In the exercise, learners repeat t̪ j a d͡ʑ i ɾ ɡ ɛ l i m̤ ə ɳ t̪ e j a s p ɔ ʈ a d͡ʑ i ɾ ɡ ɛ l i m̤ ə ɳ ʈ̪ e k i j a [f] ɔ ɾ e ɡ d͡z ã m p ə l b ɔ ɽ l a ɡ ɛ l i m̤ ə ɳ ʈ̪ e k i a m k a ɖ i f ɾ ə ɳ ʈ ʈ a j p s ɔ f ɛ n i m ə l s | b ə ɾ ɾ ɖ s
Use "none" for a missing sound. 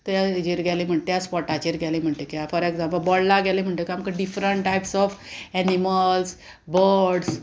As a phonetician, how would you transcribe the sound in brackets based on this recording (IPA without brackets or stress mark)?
f